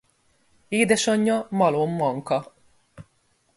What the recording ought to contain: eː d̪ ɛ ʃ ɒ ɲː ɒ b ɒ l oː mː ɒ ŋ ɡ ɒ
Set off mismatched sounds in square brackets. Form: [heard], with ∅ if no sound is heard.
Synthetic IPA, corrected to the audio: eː d̪ ɛ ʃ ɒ ɲː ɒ [m] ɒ l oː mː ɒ ŋ [k] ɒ